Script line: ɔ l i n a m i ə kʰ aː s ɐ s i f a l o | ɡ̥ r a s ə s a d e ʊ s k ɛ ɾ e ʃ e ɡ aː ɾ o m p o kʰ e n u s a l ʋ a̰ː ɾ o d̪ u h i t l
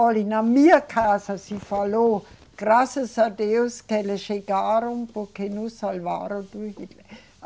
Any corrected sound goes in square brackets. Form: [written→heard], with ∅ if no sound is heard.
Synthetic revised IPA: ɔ l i n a m i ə kʰ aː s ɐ s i f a l o | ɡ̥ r a s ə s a d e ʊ s k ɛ [ɾ→l] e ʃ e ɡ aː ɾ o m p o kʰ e n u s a l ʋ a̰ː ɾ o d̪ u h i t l